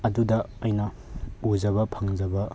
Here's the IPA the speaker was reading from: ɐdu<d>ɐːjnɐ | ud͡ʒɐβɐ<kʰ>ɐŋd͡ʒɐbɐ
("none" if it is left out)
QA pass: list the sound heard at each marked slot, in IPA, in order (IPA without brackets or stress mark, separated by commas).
d, pʰ